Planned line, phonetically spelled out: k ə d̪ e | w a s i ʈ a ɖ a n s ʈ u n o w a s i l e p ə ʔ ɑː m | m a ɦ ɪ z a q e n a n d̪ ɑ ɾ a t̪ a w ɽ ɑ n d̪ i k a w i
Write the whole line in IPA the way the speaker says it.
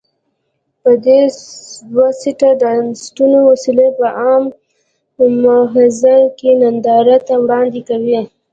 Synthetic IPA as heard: p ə d̪ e | w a s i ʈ a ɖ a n s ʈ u n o w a s i l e p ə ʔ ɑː m | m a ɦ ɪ z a k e n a n d̪ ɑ ɾ a t̪ a w ɽ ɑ n d̪ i k a w i